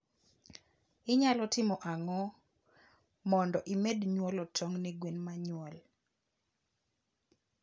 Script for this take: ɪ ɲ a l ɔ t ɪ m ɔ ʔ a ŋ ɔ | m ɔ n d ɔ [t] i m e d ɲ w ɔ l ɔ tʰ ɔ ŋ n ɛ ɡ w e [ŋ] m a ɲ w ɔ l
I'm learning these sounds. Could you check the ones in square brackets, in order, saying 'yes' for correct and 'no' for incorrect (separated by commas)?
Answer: no, no